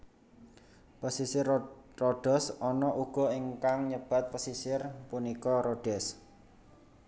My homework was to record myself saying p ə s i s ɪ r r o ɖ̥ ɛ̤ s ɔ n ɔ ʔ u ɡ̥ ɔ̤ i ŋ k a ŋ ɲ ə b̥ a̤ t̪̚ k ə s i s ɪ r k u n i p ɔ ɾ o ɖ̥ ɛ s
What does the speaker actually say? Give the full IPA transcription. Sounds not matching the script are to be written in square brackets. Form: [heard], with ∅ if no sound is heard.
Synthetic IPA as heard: p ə s i s ɪ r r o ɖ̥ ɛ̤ s ɔ n ɔ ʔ u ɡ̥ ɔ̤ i ŋ k a ŋ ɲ ə b̥ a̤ t̪̚ [p] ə s i s ɪ r [p] u n i [k] ɔ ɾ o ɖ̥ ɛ s